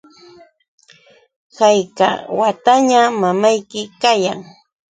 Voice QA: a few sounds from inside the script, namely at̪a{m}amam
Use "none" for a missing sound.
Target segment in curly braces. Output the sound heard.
ɲ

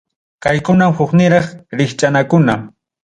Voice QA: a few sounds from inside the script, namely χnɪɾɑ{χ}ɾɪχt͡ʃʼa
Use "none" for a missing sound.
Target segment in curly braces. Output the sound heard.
χ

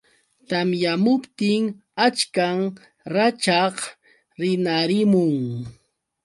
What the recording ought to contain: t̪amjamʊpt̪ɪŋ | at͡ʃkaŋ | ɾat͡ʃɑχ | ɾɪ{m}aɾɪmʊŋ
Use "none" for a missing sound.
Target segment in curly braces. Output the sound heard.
n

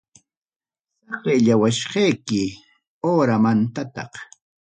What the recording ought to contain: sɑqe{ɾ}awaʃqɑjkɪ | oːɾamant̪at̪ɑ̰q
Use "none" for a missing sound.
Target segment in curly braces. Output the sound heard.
ʎ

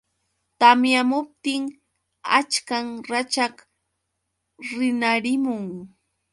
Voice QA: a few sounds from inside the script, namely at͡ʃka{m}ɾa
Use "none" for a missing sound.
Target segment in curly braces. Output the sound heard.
ŋ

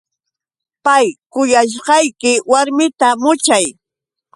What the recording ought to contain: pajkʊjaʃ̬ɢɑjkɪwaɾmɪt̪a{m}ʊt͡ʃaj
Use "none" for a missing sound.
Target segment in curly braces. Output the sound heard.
m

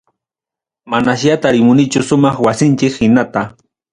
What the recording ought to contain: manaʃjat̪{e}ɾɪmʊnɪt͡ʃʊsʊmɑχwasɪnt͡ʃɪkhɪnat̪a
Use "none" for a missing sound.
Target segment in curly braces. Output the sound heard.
a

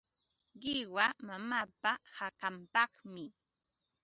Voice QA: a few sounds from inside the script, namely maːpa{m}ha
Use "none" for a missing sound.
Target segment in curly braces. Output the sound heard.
none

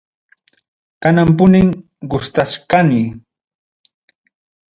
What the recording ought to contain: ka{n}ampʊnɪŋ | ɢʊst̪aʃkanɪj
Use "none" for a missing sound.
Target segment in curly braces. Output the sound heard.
n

